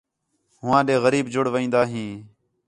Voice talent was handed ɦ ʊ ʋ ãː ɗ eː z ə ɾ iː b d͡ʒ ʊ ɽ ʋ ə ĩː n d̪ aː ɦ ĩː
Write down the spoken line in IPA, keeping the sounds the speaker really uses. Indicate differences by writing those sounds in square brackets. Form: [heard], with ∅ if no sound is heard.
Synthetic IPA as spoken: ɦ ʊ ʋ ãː ɗ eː [ɣ] ə ɾ iː b d͡ʒ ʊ ɽ ʋ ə ĩː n d̪ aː ɦ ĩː